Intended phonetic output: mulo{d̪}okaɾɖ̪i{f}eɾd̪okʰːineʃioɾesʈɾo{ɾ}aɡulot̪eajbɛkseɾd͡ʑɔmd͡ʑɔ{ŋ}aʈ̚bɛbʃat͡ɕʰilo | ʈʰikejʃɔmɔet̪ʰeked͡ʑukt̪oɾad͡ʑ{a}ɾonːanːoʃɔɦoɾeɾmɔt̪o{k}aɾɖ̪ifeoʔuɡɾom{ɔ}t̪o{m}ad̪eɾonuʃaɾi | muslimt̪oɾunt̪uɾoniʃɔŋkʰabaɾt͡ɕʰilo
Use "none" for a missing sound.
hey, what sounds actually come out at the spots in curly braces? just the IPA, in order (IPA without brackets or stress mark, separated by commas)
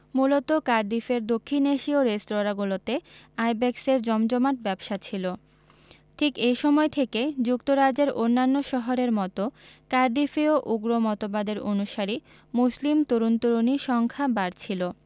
t̪, f, ɾ, m, e, k, ɔ, b